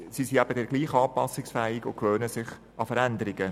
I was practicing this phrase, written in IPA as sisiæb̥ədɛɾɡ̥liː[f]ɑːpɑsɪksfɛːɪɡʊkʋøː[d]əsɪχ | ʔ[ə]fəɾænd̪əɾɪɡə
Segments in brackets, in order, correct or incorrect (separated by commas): incorrect, incorrect, incorrect